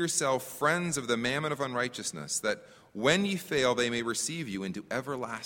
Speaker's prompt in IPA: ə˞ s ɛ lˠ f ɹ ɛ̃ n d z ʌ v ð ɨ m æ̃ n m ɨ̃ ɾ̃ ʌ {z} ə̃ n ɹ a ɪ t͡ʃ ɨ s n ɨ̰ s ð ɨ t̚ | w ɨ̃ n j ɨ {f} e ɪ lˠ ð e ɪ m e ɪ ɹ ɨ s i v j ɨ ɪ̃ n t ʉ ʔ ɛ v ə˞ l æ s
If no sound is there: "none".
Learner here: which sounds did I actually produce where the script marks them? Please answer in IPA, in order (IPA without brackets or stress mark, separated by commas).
v, f